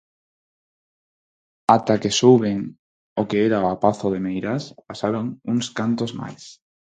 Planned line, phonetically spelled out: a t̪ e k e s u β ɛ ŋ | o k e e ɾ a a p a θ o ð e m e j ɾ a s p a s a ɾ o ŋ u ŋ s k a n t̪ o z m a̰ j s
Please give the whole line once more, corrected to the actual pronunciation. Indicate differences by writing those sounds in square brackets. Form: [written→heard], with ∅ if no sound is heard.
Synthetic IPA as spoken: a t̪ [e→a] k e s u β [ɛ→e] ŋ | o k e e ɾ a a p a θ o ð e m e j ɾ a s p a s a ɾ o ŋ u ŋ s k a n t̪ o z m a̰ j s